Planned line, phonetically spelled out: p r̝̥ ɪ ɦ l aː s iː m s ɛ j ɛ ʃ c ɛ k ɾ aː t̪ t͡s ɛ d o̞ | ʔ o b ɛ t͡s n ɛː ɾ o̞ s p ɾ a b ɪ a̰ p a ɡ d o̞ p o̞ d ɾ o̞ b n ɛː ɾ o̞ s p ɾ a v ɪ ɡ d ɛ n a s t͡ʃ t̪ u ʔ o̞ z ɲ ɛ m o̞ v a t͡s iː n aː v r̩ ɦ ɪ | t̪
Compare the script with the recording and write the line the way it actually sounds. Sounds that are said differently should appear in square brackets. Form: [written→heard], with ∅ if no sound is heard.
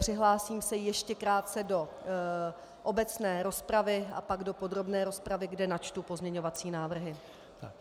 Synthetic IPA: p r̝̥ ɪ ɦ l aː s iː m s ɛ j ɛ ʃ c ɛ k ɾ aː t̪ t͡s ɛ d o̞ | ʔ o b ɛ t͡s n ɛː ɾ o̞ s p ɾ a [b→v] ɪ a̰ p a ɡ d o̞ p o̞ d ɾ o̞ b n ɛː ɾ o̞ s p ɾ a v ɪ ɡ d ɛ n a [s→∅] t͡ʃ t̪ u [ʔ→p] o̞ z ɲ ɛ [m→ɲ] o̞ v a t͡s iː n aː v r̩ ɦ ɪ | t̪

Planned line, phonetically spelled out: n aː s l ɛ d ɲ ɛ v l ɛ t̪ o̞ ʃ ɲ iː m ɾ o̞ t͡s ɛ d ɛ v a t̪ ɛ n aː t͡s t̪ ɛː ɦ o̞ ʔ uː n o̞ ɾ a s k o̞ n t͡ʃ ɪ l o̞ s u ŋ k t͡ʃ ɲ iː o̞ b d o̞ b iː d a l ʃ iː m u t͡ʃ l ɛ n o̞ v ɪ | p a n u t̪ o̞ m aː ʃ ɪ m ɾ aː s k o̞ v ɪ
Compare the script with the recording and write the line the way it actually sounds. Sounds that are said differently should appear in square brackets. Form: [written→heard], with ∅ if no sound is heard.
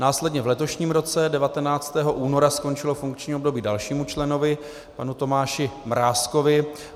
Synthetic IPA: n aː s l ɛ d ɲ ɛ v l ɛ t̪ o̞ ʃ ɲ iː m ɾ o̞ t͡s ɛ d ɛ v a t̪ ɛ n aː t͡s t̪ ɛː ɦ o̞ ʔ uː n o̞ ɾ a s k o̞ n t͡ʃ ɪ l o̞ [s→f] u ŋ k t͡ʃ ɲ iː o̞ b d o̞ b iː d a l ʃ iː m u t͡ʃ l ɛ n o̞ v ɪ | p a n u t̪ o̞ m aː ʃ ɪ m ɾ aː s k o̞ v ɪ

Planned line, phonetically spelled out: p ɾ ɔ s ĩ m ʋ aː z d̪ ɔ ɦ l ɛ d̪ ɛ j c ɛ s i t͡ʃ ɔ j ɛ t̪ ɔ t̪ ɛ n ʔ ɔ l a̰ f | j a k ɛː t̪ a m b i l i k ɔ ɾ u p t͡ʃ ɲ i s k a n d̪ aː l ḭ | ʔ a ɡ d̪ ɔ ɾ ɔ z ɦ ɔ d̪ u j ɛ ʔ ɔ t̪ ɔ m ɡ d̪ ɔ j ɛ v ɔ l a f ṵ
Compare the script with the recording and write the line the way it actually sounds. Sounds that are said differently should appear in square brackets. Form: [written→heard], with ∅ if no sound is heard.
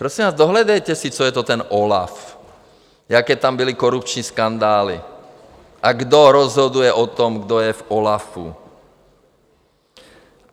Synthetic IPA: p ɾ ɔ s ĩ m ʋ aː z d̪ ɔ ɦ l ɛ d̪ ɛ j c ɛ s i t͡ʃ ɔ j ɛ t̪ ɔ t̪ ɛ n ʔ ɔ l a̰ f | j a k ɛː t̪ a m b i l i k ɔ ɾ u p t͡ʃ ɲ i s k a n d̪ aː l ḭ | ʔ a ɡ d̪ ɔ ɾ ɔ z ɦ ɔ d̪ u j ɛ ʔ ɔ t̪ ɔ m ɡ d̪ ɔ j ɛ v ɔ l a f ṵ

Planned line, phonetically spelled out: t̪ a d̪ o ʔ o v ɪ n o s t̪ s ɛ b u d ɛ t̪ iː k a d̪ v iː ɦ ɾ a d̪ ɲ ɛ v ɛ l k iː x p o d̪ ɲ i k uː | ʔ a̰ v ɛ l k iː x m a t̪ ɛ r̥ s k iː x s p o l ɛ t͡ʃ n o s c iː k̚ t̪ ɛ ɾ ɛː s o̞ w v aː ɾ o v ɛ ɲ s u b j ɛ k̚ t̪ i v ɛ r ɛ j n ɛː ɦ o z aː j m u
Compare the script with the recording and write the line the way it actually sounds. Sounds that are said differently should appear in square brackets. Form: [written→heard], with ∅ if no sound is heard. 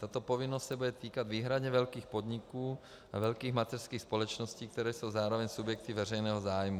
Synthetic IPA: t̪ a [d̪→t̪] o [ʔ→p] o v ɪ n o s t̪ s ɛ b u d ɛ t̪ iː k a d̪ v iː ɦ ɾ a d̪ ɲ ɛ v ɛ l k iː x p o d̪ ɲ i k uː | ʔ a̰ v ɛ l k iː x m a t̪ ɛ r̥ s k iː x s p o l ɛ t͡ʃ n o s c iː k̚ t̪ ɛ ɾ ɛː s o̞ w [v→z] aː ɾ o v ɛ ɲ s u b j ɛ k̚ t̪ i v ɛ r ɛ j n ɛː ɦ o z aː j m u

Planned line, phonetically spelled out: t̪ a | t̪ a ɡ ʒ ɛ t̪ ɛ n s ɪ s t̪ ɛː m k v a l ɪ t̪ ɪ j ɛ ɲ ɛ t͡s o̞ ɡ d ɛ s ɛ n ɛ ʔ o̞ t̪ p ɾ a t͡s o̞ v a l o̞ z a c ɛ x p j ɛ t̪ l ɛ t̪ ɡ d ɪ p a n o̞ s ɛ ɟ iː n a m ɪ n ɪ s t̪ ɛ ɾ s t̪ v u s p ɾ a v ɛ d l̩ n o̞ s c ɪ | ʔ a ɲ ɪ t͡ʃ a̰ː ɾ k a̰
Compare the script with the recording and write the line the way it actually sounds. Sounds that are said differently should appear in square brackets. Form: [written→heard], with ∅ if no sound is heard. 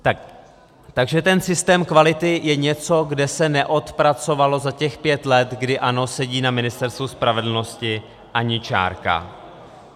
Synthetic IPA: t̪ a | t̪ a ɡ ʒ ɛ t̪ ɛ n s ɪ s t̪ ɛː m k v a l ɪ t̪ ɪ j ɛ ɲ ɛ t͡s o̞ ɡ d ɛ s ɛ n ɛ ʔ o̞ t̪ p ɾ a t͡s o̞ v a l o̞ z a c ɛ x p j ɛ t̪ l ɛ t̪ ɡ d ɪ [p→ʔ] a n o̞ s ɛ ɟ iː n a m ɪ n ɪ s t̪ ɛ ɾ s t̪ v u s p ɾ a v ɛ d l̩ n o̞ s c ɪ | ʔ a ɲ ɪ t͡ʃ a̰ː ɾ k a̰

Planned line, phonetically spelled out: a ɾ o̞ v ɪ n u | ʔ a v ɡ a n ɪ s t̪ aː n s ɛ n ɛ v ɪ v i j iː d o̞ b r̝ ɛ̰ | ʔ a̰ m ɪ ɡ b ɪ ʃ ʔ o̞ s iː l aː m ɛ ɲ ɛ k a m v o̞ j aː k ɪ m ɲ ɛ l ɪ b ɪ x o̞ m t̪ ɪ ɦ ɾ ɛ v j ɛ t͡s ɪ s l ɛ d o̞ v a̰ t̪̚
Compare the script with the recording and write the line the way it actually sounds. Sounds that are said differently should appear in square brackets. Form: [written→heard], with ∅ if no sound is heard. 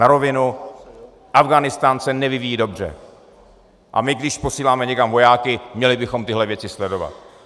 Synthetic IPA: a ɾ o̞ v ɪ n u | ʔ a v ɡ a n ɪ s t̪ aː n s ɛ n ɛ v ɪ v i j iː d o̞ b r̝ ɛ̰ | ʔ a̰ m ɪ ɡ [b→d] ɪ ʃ [ʔ→p] o̞ s iː l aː m ɛ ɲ ɛ k a m v o̞ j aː k ɪ m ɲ ɛ l ɪ b ɪ x o̞ m t̪ ɪ ɦ [ɾ→l] ɛ v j ɛ t͡s ɪ s l ɛ d o̞ v a̰ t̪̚

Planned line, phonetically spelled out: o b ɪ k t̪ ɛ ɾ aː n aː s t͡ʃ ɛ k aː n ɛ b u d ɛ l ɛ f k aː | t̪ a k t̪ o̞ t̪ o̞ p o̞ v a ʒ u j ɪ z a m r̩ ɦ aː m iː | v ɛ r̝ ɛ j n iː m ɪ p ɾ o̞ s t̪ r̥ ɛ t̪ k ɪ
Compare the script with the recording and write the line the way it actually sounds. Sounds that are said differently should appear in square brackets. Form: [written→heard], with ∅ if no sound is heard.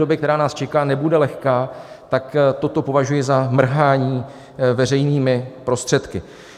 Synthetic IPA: o b ɪ k t̪ ɛ ɾ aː n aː s t͡ʃ ɛ k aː n ɛ b u d ɛ l ɛ [f→x] k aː | t̪ a k t̪ o̞ t̪ o̞ p o̞ v a ʒ u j ɪ z a m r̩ ɦ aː [m→ɲ] iː | v ɛ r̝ ɛ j n iː m ɪ p ɾ o̞ s t̪ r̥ ɛ t̪ k ɪ

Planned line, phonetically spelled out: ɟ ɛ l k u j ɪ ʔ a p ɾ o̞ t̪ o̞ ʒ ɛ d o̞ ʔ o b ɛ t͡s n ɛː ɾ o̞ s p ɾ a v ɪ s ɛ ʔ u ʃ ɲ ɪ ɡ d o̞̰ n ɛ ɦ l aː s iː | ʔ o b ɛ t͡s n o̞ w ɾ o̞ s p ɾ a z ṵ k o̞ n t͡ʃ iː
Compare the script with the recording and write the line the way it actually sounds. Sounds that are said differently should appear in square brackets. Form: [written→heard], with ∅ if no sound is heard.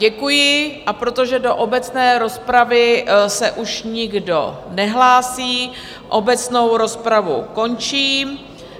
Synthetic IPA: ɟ ɛ [l→∅] k u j ɪ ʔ a p ɾ o̞ t̪ o̞ ʒ ɛ d o̞ ʔ o b ɛ t͡s n ɛː ɾ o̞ s p ɾ a v ɪ s ɛ ʔ u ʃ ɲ ɪ ɡ d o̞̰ n ɛ ɦ l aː s iː | ʔ o b ɛ t͡s n o̞ w ɾ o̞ s p ɾ a [z→v] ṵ k o̞ n t͡ʃ iː

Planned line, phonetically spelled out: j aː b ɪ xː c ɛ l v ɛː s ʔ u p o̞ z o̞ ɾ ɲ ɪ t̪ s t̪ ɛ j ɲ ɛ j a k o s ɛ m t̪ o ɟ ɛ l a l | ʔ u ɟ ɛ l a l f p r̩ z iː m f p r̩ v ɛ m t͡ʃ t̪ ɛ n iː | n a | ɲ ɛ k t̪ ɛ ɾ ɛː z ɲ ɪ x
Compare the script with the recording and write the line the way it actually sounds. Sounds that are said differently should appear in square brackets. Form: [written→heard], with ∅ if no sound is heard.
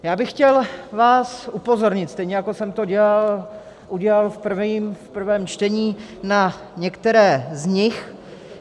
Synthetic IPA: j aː b ɪ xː c ɛ l v [ɛː→aː] s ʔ u p o̞ z o̞ ɾ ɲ ɪ t̪ s t̪ ɛ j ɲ ɛ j a k o s ɛ m t̪ o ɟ ɛ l a l | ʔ u ɟ ɛ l a l f p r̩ [z→v] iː m f p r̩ v [ɛ→ɛː] m t͡ʃ t̪ ɛ [n→ɲ] iː | n a | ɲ ɛ k t̪ ɛ ɾ ɛː z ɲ ɪ x

